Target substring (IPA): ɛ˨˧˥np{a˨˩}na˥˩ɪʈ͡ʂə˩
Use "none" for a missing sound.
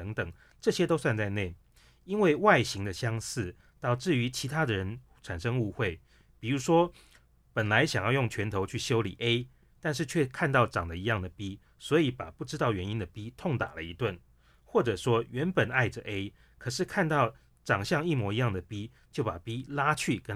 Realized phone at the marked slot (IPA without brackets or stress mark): ə˨˩